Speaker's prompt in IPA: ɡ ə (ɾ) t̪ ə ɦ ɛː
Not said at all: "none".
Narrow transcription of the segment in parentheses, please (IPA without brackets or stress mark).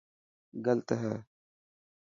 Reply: l